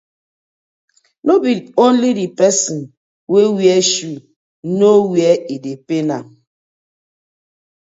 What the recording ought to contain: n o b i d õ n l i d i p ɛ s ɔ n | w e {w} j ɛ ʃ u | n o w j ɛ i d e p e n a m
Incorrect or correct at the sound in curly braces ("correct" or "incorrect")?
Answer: correct